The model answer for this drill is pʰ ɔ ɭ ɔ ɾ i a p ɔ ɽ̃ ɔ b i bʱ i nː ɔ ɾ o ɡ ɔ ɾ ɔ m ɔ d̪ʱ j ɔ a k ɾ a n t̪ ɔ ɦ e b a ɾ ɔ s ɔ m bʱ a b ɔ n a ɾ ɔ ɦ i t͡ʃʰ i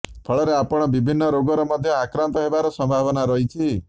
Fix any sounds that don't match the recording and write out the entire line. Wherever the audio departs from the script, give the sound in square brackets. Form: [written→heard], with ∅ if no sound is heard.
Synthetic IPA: pʰ ɔ ɭ ɔ ɾ [i→e] a p ɔ ɽ̃ ɔ b i bʱ i nː ɔ ɾ o ɡ ɔ ɾ ɔ m ɔ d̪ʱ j ɔ a k ɾ a n t̪ ɔ ɦ e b a ɾ ɔ s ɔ m bʱ a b ɔ n a ɾ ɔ ɦ i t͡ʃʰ i